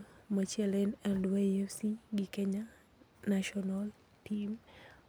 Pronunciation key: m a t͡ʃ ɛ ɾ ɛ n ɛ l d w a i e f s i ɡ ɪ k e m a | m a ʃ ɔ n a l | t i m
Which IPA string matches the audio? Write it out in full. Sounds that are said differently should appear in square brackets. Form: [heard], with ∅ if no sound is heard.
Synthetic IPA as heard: m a t͡ʃ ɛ [l] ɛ n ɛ l d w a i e f s i ɡ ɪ k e [ɲ] a | [n] a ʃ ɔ n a l | t i m